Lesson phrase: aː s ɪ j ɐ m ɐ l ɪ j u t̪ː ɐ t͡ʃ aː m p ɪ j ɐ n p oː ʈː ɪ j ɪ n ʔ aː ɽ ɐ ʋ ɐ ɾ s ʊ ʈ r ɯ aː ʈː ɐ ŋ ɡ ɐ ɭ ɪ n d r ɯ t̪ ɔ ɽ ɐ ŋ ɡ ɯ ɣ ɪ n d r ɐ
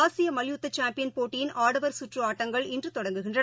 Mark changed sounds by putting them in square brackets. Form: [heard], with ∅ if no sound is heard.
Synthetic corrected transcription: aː s ɪ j ɐ m ɐ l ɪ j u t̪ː ɐ t͡ʃ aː m p ɪ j ɐ n p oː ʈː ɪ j ɪ n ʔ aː ɽ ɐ ʋ ɐ ɾ s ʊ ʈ r ɯ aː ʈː ɐ ŋ ɡ ɐ ɭ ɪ n d r ɯ t̪ ɔ ɽ ɐ ŋ ɡ ɯ ɣ ɪ n d r ɐ